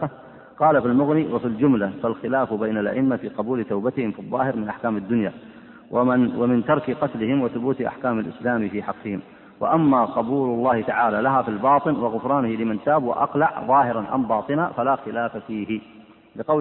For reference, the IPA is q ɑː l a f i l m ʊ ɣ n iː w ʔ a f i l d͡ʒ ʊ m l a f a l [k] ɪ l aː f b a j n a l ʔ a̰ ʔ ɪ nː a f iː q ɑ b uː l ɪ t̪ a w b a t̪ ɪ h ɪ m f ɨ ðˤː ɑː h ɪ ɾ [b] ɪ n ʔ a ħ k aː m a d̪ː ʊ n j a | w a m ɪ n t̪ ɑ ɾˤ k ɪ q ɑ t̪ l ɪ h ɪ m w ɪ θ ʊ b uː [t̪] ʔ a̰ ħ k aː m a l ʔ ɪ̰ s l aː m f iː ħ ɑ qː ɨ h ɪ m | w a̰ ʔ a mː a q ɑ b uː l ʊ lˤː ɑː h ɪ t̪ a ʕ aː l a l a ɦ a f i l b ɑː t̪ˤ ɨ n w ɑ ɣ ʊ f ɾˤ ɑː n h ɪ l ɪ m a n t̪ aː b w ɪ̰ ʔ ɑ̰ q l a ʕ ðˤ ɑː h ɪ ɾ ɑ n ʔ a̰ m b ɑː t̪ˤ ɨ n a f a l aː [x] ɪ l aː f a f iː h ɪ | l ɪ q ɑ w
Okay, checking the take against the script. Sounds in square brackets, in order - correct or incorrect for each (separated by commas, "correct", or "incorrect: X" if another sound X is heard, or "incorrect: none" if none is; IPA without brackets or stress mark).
incorrect: x, incorrect: m, correct, correct